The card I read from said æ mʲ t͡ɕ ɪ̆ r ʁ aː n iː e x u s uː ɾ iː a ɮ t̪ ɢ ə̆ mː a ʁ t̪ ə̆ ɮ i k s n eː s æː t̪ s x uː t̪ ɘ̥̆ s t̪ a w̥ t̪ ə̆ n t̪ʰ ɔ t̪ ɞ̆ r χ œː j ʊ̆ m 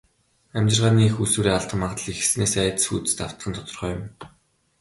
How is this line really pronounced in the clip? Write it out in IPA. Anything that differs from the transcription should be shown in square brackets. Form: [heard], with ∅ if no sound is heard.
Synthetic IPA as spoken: æ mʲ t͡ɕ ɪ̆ r ʁ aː n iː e x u s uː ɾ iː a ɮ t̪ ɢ ə̆ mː a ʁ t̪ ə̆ ɮ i [x] s n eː s æː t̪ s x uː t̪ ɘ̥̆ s t̪ a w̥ t̪ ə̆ n t̪ʰ ɔ t̪ ɞ̆ r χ œː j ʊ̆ m